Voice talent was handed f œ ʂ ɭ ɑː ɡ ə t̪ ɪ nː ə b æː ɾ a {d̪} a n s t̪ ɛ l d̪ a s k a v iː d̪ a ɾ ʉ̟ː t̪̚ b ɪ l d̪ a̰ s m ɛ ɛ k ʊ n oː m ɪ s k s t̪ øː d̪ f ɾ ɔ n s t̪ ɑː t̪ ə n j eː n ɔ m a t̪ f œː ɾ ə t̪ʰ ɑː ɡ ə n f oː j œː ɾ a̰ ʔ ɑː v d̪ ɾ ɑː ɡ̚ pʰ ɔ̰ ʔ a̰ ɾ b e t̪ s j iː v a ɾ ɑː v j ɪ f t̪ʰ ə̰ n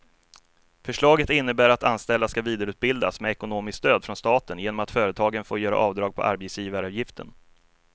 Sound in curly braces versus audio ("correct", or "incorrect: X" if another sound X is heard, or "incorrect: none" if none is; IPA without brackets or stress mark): incorrect: t̪